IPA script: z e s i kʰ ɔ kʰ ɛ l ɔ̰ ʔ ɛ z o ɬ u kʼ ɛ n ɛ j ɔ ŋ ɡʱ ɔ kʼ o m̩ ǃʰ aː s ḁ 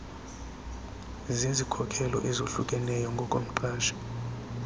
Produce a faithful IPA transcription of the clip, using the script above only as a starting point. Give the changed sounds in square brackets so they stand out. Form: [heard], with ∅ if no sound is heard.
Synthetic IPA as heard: z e [z] i kʰ ɔ kʰ ɛ l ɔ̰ ʔ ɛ z o ɬ u kʼ ɛ n ɛ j ɔ ŋ ɡʱ ɔ kʼ o m̩ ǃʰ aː [ʃ] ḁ